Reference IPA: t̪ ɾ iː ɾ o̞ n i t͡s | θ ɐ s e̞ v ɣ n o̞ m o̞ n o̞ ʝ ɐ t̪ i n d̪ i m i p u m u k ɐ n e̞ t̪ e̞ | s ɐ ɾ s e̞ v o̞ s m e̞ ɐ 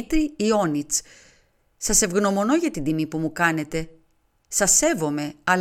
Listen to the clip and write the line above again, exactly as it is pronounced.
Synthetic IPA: t̪ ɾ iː o̞ n i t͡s | s ɐ s e̞ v ɣ n o̞ m o̞ n o̞ ʝ ɐ t̪ i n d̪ i m i p u m u k ɐ n e̞ t̪ e̞ | s ɐ s e̞ v o̞ m e̞ ɐ